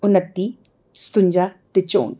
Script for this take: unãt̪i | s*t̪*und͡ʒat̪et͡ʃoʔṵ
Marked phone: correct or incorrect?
correct